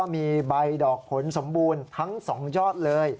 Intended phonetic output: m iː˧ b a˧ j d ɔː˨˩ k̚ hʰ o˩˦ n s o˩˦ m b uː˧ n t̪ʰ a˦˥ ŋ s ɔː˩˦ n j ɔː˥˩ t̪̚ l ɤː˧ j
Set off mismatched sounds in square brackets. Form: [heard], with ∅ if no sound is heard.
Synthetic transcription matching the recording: m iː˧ b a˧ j d ɔː˨˩ k̚ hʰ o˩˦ n s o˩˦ m b uː˧ n t̪ʰ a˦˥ ŋ s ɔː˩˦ [ŋ] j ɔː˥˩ t̪̚ l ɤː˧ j